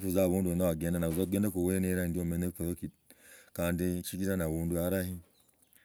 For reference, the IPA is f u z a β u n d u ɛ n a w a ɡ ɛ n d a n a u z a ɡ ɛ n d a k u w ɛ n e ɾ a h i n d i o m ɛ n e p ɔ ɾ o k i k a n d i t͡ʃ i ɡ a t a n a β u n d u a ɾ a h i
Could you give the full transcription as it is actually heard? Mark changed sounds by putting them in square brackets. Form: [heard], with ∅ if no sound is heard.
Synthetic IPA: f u z a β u n d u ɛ n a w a ɡ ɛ n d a n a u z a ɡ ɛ n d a k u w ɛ n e ɾ a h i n d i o m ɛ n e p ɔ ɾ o k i k a n d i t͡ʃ i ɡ [i] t a n a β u n d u a ɾ a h i